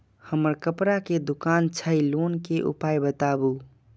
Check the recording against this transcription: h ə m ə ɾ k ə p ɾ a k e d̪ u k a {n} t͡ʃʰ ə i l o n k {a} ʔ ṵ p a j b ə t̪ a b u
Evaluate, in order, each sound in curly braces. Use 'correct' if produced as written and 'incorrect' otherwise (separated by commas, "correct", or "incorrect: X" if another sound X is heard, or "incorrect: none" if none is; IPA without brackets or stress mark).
correct, incorrect: e